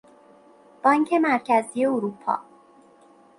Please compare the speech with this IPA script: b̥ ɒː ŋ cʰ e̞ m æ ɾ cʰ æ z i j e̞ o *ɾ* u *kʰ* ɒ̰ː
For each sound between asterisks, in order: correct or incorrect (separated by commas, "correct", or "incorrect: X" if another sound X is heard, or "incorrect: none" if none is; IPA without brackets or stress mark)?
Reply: correct, incorrect: pʰ